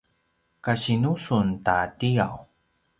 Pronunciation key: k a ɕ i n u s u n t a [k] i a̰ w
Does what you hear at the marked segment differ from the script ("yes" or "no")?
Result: yes